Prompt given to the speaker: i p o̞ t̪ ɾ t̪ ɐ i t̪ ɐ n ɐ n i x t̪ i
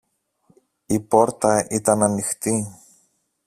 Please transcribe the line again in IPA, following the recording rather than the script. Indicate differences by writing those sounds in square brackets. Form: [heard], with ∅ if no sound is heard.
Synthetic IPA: i p o̞ [∅] ɾ t̪ ɐ i t̪ ɐ n ɐ n i x t̪ i